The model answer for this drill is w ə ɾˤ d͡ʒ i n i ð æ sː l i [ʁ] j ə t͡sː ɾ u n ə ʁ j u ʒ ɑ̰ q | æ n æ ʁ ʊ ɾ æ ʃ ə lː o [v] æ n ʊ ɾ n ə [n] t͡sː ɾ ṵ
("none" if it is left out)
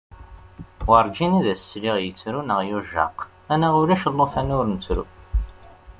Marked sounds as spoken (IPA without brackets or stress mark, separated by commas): ʁ, f, none